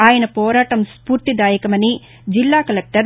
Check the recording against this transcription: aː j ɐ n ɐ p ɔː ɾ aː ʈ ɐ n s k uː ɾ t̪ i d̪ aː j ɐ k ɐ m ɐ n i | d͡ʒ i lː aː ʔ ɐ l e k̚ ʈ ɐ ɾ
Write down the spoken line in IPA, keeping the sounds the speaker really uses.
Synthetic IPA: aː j ɐ n ɐ p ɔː ɾ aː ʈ ɐ m s p uː ɾ t̪ i d̪ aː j ɐ k ɐ m ɐ n i | d͡ʒ i lː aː k ɐ l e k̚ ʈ ɐ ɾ

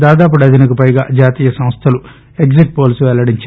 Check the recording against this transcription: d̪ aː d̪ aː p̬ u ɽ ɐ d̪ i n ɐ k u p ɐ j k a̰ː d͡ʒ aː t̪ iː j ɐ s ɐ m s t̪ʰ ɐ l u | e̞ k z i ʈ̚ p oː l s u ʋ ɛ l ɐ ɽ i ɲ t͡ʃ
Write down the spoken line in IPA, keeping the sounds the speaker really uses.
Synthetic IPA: d̪ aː d̪ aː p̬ u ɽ ɐ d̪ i n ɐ k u p ɐ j ɡ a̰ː d͡ʒ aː t̪ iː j ɐ s ɐ m s t̪ʰ ɐ l u | e̞ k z i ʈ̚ p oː l s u ʋ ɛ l ɐ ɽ i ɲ t͡ʃ

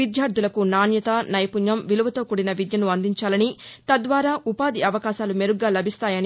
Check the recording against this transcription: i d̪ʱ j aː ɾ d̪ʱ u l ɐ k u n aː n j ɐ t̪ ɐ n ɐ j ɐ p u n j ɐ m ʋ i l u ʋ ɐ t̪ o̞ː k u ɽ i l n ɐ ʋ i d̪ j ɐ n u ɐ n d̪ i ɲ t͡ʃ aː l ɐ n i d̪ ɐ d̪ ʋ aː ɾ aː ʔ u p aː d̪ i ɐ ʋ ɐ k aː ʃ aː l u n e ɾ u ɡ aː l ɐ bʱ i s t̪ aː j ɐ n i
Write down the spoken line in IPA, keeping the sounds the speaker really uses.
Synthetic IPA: i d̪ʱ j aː ɾ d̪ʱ u l ɐ k u n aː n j ɐ t̪ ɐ n ɐ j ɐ p u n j ɐ m ʋ i l u ʋ ɐ t̪ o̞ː k u ɽ i n ɐ ʋ i d̪ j ɐ n u ɐ n d̪ i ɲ t͡ʃ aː l ɐ n i t̪ ɐ d̪ ʋ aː ɾ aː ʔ u p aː d̪ i ɐ ʋ ɐ k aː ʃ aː l u m e ɾ u ɡ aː l ɐ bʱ i s t̪ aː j ɐ n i

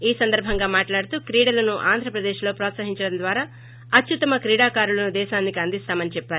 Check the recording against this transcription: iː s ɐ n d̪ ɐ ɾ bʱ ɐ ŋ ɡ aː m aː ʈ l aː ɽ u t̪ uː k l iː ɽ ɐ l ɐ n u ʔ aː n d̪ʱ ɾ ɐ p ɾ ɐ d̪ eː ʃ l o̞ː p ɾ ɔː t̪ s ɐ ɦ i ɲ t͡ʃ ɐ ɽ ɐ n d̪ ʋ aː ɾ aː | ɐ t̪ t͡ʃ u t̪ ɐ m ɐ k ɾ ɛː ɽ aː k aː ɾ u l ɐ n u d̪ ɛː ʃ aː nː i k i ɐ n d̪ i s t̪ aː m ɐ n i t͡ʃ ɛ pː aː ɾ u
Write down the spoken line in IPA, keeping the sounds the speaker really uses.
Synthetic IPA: iː s ɐ n d̪ ɐ ɾ bʱ ɐ ŋ ɡ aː m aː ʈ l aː ɽ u t̪ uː k ɾ iː ɽ ɐ l ɐ n u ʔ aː n d̪ʱ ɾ ɐ p ɾ ɐ d̪ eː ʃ l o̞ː p ɾ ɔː t̪ s ɐ ɦ i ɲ t͡ʃ ɐ ɽ ɐ n d̪ ʋ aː ɾ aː | ɐ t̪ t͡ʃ u t̪ ɐ m ɐ k ɾ iː ɽ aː k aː ɾ u l ɐ n u d̪ ɛː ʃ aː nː i k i ɐ n d̪ i s t̪ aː m ɐ n i t͡ʃ ɛ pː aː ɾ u

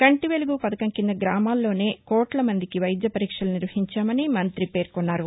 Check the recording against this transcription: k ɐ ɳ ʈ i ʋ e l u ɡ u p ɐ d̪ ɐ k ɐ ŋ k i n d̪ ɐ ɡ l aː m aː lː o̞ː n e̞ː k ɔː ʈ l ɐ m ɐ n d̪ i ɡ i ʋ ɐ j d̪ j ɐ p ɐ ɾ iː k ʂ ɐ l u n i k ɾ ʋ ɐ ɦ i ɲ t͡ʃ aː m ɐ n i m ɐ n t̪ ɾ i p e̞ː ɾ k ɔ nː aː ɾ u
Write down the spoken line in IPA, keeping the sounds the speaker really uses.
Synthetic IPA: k ɐ ɳ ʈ i ʋ e l u ɡ u p ɐ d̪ ɐ k ɐ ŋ k i n d̪ ɐ ɡ ɾ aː m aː lː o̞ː n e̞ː k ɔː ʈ l ɐ m ɐ n d̪ i k i ʋ ɐ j d̪ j ɐ p ɐ ɾ iː k ʂ ɐ l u n i ɾ ʋ ɐ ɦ i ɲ t͡ʃ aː m ɐ n i m ɐ n t̪ ɾ i p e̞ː ɾ k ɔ nː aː ɾ u

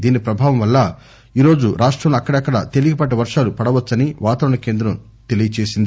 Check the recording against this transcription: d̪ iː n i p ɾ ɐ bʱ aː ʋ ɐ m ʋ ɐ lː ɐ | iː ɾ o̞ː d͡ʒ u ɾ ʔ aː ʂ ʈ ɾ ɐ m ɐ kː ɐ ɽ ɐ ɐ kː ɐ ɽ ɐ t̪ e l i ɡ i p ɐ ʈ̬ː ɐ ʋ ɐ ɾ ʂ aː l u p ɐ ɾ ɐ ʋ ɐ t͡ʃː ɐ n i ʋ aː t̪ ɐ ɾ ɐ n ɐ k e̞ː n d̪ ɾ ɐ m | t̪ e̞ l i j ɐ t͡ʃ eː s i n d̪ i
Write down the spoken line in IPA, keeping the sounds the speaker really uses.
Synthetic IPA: d̪ iː n i p ɾ ɐ bʱ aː ʋ ɐ m ʋ ɐ lː ɐ | iː ɾ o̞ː d͡ʒ u ɾ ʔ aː ʂ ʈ ɾ ɐ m ɐ kː ɐ ɽ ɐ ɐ kː ɐ ɽ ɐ t̪ e l i ɡ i p ɐ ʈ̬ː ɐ ʋ ɐ ɾ ʂ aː l u p ɐ ɽ ɐ ʋ ɐ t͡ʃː ɐ n i ʋ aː t̪ ɐ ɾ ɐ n ɐ k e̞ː n d̪ ɾ ɐ m | t̪ e̞ l i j ɐ t͡ʃ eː s i n d̪ i

